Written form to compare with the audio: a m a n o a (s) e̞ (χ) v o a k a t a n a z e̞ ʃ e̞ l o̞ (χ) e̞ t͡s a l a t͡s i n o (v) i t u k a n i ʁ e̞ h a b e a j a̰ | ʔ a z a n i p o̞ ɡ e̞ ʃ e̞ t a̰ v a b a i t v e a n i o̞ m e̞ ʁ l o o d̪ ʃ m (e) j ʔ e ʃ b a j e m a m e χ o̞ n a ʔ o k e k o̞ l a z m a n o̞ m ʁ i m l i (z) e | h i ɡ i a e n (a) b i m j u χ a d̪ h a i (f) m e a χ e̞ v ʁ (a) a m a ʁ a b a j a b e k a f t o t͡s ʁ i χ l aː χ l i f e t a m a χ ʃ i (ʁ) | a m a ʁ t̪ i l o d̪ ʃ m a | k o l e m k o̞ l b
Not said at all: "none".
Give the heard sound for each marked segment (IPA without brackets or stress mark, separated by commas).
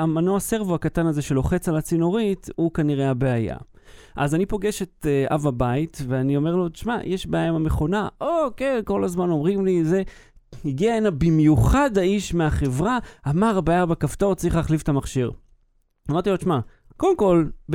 s, ʁ, χ, ʁ, a, z, a, ʃ, a, ʁ